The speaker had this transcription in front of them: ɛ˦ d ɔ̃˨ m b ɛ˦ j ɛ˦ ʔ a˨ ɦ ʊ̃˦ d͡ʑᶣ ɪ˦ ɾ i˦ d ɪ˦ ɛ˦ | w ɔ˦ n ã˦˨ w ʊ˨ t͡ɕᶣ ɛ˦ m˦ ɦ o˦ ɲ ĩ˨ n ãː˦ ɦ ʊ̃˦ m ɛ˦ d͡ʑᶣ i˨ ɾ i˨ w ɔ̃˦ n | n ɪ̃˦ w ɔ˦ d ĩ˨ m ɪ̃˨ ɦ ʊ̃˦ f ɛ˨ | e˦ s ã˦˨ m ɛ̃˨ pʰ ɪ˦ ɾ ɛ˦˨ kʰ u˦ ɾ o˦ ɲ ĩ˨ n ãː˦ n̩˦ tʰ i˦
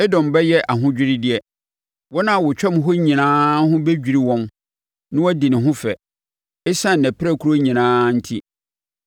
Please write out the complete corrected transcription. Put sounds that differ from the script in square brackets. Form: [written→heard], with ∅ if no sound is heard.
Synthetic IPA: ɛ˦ d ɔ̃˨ m b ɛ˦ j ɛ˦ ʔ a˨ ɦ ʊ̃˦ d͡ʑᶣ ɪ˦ ɾ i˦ d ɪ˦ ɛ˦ | w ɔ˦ n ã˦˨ w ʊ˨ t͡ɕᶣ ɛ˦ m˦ ɦ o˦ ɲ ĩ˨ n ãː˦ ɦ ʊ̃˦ [m→b] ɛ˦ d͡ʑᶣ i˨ ɾ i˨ w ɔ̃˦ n | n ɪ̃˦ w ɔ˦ d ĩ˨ [m→n] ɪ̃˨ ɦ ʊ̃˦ f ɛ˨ | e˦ s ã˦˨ [m→n] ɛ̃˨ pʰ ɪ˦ ɾ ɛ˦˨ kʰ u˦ ɾ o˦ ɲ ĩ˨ n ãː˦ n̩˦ tʰ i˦